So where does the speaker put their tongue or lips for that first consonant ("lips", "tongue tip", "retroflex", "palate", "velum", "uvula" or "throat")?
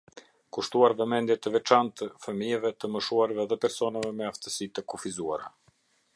velum